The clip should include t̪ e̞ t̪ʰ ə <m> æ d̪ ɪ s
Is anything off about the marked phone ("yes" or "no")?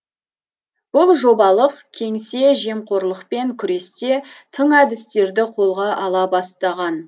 yes